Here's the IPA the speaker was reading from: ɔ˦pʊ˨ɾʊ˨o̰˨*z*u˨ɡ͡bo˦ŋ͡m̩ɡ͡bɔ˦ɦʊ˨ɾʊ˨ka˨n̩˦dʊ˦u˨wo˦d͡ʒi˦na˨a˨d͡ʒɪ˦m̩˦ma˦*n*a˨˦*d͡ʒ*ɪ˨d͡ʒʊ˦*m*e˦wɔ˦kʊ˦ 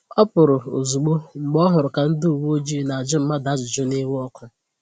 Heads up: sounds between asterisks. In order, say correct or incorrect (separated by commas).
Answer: correct, incorrect, correct, incorrect